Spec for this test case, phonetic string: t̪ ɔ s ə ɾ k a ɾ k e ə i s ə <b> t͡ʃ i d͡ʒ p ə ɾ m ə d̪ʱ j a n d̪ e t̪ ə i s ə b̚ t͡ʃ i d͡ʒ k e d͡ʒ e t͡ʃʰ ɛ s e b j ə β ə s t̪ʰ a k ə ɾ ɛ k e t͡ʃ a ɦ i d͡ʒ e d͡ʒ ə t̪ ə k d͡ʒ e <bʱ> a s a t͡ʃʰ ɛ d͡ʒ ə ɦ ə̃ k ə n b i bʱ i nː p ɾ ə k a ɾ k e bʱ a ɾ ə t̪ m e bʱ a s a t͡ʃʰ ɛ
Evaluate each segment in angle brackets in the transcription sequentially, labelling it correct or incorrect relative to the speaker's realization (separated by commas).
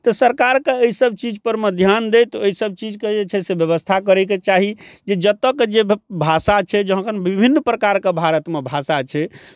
correct, correct